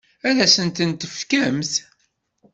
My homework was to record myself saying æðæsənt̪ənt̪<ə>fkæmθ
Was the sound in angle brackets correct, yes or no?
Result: yes